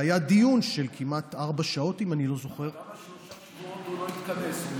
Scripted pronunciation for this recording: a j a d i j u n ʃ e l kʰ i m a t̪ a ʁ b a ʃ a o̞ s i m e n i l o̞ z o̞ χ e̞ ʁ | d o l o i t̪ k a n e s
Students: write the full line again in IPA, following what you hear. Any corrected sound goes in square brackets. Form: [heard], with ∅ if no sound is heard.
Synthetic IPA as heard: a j a d i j u n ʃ e l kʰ i m a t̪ a ʁ b a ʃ a o̞ [t] i m [a] n i l o̞ z o̞ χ e̞ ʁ | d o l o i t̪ k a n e s